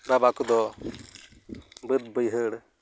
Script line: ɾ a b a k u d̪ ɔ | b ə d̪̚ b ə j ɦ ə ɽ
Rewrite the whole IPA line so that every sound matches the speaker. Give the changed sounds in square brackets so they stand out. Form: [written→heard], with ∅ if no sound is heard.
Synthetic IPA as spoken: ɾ a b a k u d̪ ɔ | b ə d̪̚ b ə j ɦ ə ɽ